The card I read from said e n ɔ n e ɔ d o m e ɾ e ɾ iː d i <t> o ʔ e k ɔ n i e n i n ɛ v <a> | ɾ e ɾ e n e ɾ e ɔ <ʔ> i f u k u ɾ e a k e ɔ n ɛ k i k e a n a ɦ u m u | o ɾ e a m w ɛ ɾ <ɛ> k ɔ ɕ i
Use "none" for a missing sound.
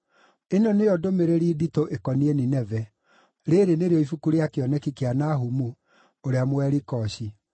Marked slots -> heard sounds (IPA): t, ɛ, none, i

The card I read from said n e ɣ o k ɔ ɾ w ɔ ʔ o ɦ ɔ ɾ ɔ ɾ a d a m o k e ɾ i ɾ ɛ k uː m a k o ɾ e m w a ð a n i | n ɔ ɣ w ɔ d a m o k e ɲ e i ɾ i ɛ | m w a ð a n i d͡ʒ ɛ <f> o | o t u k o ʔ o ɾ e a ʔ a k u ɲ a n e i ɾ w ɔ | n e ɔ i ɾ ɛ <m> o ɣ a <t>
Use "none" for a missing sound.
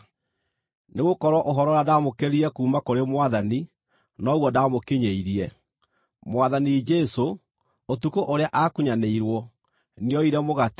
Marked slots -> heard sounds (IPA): s, m, t

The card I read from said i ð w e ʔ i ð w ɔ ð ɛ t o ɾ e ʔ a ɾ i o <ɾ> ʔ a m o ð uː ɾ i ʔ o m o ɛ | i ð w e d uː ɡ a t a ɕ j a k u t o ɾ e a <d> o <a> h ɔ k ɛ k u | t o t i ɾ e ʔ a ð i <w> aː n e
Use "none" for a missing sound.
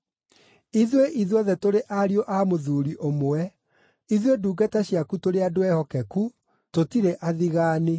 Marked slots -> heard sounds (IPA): none, d, ɛ, ɣ

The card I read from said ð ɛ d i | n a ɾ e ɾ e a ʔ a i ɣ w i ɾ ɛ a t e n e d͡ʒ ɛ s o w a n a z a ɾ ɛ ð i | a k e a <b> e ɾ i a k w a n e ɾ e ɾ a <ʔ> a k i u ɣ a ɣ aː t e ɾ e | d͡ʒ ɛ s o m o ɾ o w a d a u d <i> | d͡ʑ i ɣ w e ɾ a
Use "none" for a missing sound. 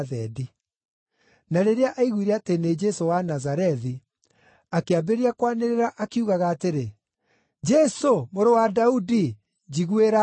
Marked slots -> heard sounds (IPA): b, ʔ, i

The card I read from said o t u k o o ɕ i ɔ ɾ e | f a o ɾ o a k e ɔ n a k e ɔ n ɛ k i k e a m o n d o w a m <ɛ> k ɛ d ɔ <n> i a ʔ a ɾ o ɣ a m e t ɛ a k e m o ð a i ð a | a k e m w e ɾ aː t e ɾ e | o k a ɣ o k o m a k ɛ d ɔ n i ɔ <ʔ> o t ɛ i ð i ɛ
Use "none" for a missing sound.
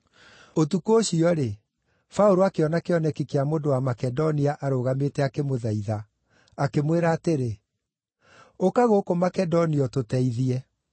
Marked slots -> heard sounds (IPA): a, n, t

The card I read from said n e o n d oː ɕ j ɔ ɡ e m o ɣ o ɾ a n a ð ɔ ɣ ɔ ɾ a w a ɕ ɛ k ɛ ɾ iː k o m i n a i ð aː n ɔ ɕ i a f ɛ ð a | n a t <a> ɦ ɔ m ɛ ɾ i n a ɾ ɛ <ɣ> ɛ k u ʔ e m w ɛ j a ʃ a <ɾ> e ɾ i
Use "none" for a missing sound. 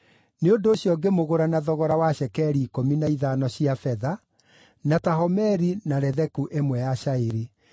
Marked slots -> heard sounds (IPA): a, ð, none

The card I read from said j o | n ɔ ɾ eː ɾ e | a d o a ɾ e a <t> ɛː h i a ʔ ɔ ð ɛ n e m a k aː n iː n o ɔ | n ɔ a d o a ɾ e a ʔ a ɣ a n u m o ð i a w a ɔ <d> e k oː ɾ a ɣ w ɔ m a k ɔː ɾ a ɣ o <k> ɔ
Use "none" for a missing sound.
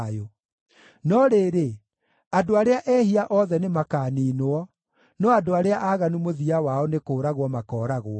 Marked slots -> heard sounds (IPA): ʔ, n, none

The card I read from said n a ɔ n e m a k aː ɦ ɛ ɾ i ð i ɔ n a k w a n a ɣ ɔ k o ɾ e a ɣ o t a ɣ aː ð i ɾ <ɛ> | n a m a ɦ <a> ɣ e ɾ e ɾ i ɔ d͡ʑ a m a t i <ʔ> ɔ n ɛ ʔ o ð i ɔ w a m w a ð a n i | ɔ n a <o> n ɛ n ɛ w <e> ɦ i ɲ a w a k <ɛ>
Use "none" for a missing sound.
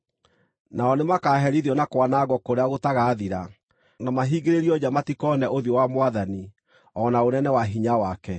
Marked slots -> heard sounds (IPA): a, i, k, o, a, ɛ

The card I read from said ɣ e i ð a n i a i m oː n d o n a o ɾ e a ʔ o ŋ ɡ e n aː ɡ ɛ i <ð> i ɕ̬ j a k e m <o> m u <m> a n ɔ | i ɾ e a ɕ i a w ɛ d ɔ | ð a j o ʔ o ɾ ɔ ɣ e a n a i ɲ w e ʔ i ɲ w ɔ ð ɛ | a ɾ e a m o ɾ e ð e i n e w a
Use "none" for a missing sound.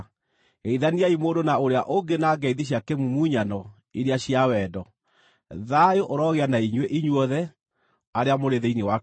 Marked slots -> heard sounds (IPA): ð, u, ɲ

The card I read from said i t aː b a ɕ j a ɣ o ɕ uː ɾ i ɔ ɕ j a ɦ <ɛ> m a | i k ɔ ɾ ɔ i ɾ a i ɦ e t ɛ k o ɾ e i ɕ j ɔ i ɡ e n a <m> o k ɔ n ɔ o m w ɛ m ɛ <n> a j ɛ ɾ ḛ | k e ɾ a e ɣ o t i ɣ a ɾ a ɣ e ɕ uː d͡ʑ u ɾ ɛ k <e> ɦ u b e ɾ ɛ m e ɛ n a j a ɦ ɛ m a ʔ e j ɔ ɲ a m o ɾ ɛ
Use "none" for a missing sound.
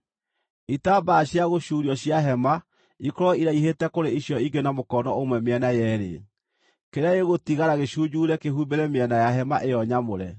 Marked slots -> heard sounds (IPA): ɛ, m, n, e

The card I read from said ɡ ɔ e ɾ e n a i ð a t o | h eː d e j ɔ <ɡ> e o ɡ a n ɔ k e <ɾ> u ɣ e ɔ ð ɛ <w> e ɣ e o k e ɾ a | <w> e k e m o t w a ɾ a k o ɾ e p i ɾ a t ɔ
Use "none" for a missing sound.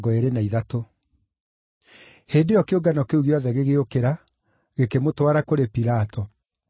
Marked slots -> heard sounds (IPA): k, none, ɣ, ɣ

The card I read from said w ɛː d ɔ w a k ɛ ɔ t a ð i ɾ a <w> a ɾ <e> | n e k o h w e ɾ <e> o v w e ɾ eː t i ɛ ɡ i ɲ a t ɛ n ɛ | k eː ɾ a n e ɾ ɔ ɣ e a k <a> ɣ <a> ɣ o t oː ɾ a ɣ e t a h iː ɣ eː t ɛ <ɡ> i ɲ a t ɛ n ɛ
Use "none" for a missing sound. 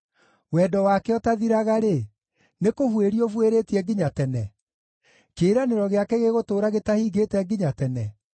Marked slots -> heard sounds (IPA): ɣ, e, i, ɛ, e, ɡ

